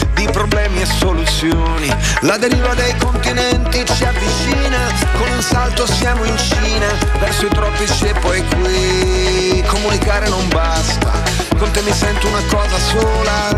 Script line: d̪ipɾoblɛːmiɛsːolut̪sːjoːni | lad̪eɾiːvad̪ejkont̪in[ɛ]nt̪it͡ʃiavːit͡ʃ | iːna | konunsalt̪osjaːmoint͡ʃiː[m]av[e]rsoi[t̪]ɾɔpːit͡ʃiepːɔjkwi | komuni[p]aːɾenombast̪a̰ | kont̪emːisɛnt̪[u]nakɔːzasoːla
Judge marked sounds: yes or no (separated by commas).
yes, no, no, yes, no, yes